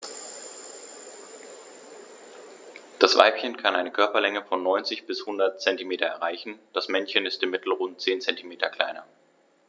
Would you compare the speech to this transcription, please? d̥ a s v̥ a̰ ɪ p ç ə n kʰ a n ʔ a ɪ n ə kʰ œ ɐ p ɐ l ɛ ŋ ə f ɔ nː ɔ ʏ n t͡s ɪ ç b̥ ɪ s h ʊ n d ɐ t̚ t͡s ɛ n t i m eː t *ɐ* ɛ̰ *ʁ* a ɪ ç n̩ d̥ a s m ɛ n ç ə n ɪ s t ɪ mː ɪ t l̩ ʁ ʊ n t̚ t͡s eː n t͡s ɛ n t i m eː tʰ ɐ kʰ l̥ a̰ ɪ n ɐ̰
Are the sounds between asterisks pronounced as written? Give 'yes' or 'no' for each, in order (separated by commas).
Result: yes, yes